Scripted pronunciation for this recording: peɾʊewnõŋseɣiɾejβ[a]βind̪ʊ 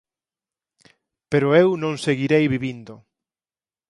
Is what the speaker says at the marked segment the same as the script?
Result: no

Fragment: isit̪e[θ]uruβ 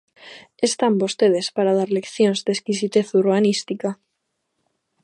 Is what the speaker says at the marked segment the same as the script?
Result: yes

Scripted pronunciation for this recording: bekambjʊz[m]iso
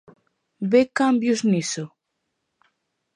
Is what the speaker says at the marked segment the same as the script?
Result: no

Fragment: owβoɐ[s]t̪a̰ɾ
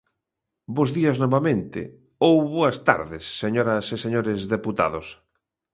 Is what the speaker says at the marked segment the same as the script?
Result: yes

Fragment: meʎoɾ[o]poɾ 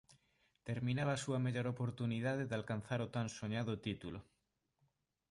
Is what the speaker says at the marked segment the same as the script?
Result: yes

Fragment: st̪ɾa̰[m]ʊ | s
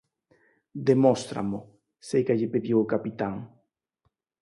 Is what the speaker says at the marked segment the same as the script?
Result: yes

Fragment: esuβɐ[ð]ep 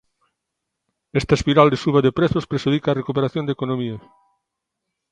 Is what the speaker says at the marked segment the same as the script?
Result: yes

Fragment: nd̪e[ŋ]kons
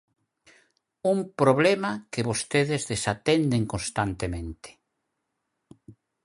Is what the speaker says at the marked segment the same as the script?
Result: yes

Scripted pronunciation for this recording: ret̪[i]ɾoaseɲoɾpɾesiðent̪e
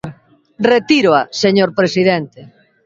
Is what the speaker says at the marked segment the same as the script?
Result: yes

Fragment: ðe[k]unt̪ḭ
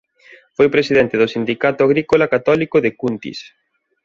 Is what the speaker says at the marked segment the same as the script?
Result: yes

